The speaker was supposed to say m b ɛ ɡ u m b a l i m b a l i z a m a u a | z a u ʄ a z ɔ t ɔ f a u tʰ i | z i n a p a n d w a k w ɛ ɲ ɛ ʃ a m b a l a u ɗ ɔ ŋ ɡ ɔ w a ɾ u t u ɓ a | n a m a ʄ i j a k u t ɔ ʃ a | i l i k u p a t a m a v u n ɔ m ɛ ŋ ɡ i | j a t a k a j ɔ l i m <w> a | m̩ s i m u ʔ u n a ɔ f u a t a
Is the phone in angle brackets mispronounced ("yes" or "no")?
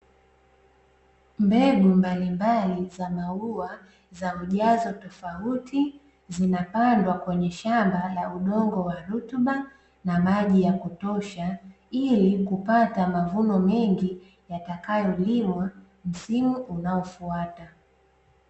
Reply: no